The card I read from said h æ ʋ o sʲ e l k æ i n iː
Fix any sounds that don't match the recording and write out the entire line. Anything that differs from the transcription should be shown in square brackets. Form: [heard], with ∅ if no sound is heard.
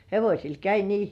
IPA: h [e] ʋ o sʲ [i] l k æ i n iː